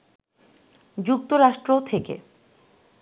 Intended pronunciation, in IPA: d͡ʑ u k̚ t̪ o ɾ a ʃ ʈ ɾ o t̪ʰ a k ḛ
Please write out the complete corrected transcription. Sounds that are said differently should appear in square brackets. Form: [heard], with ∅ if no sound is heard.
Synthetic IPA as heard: d͡ʑ u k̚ t̪ o ɾ a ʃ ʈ ɾ o t̪ʰ [e] k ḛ